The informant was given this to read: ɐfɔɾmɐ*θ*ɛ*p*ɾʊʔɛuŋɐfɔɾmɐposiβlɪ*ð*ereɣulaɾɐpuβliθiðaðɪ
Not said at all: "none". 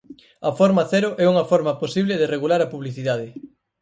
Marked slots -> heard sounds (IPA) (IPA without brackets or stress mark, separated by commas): θ, none, ð